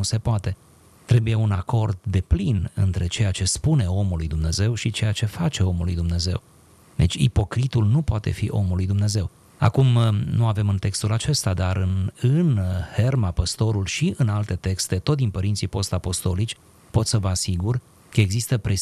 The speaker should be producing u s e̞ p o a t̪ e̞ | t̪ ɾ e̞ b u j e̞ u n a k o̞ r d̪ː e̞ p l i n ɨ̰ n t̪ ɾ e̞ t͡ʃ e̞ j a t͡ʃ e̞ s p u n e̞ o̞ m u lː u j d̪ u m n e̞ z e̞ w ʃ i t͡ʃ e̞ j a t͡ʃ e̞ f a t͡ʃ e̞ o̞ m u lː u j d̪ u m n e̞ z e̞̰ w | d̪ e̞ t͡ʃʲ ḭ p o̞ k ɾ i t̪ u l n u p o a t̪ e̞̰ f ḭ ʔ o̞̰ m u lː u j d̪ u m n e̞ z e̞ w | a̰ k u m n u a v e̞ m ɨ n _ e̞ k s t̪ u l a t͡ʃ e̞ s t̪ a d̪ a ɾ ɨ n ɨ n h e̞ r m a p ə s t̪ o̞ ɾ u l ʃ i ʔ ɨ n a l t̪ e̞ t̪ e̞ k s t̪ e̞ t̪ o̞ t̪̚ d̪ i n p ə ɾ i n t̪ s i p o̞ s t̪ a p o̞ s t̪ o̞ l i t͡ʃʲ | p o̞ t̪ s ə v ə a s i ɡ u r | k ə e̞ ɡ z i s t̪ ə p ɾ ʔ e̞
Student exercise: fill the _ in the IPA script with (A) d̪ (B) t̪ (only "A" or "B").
B